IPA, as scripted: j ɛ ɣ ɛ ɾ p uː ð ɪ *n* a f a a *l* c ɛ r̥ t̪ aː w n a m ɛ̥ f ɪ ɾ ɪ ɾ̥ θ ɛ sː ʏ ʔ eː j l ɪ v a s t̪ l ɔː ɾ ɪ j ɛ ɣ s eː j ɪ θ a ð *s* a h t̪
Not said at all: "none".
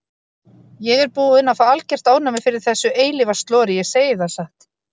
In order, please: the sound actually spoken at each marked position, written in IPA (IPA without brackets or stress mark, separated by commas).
n, l, s